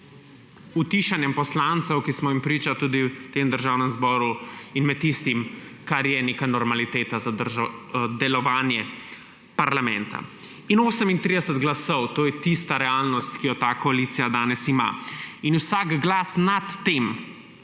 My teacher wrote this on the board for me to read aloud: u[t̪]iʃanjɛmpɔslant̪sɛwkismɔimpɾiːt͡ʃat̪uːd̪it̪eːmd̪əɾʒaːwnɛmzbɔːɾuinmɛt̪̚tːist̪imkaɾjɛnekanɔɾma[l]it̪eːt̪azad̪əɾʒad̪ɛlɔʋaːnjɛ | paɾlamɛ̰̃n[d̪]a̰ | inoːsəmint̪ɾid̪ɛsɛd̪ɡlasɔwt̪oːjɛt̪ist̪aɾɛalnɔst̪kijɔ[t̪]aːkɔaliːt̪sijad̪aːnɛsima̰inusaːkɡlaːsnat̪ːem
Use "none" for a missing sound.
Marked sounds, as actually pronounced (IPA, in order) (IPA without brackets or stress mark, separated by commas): t̪, l, t̪, t̪